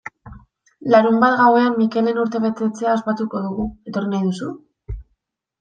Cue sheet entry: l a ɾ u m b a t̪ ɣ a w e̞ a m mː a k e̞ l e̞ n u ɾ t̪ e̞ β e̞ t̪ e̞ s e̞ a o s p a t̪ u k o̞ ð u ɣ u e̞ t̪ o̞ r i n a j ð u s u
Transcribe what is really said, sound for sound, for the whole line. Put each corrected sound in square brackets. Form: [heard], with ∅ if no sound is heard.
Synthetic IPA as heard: l a ɾ u m b a t̪ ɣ a w e̞ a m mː [i] k e̞ l e̞ n u ɾ t̪ e̞ β e̞ t̪ e̞ [t͡s] e̞ a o s p a t̪ u k o̞ ð u ɣ u e̞ t̪ o̞ r i n a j ð u s u